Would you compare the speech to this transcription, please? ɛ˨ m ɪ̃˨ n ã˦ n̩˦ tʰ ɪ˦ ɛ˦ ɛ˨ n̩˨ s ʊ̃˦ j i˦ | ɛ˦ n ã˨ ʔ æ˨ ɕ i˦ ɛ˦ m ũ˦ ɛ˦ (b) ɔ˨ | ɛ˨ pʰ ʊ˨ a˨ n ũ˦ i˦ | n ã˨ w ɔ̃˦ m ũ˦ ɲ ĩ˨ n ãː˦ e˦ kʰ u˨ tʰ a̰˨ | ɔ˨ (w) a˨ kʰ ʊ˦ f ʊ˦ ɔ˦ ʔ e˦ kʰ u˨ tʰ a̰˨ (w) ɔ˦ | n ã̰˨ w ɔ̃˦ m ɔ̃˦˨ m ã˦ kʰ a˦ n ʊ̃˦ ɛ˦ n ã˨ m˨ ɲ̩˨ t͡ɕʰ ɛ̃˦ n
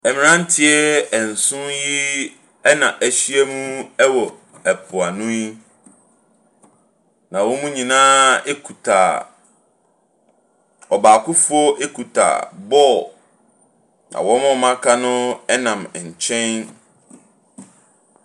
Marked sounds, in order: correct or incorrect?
incorrect, incorrect, incorrect

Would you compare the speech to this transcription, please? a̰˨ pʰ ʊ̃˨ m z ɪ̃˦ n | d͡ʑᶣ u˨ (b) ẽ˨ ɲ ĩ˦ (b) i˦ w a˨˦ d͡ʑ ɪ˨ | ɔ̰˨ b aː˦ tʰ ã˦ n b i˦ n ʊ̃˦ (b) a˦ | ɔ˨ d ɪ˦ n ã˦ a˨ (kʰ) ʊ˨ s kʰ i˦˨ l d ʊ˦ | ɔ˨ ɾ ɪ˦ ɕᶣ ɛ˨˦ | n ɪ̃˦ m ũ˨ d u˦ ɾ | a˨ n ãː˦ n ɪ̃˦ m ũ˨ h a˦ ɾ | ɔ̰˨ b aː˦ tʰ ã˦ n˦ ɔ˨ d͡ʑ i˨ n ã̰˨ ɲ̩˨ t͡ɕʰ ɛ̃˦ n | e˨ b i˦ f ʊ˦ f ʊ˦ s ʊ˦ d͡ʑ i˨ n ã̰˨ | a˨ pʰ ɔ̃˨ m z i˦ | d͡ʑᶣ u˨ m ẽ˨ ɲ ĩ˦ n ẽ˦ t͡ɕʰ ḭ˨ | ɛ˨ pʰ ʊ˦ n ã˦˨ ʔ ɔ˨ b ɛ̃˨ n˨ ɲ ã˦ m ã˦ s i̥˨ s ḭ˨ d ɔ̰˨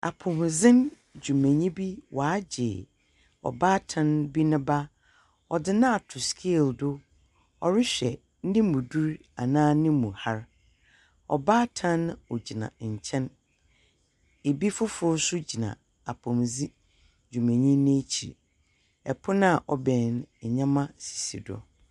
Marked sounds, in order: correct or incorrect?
incorrect, correct, correct, incorrect

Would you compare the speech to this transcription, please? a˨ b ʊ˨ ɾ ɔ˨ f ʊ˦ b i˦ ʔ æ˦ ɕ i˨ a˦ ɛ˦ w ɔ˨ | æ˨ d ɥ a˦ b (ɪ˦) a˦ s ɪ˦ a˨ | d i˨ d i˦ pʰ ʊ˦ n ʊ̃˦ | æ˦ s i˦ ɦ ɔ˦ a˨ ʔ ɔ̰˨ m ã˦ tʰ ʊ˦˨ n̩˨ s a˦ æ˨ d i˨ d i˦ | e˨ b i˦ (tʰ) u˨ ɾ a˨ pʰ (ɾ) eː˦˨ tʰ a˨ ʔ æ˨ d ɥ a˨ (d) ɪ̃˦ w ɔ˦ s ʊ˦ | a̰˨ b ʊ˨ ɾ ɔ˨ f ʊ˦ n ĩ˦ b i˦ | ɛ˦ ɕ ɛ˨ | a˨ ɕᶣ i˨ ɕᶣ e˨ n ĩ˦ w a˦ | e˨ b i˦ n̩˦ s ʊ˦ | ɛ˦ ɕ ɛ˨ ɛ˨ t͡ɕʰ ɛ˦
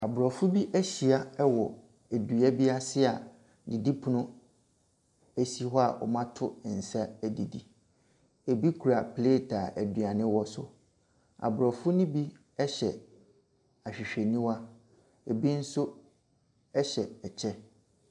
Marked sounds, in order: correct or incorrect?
incorrect, incorrect, incorrect, incorrect

